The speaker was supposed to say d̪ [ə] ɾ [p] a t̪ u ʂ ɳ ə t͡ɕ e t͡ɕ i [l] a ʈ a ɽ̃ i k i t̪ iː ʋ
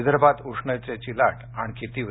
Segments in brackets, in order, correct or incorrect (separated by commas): correct, incorrect, correct